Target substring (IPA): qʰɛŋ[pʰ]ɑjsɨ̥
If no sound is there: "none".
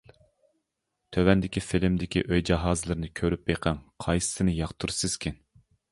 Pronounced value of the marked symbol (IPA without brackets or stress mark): qʰ